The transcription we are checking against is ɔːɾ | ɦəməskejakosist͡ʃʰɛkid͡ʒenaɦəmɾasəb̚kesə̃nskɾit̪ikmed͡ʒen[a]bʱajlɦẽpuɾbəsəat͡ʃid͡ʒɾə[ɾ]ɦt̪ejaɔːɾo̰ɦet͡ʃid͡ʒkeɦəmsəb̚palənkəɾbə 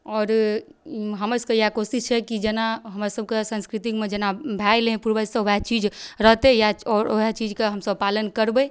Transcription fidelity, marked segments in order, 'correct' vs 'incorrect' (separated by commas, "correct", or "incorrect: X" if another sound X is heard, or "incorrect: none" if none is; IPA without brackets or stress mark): correct, incorrect: none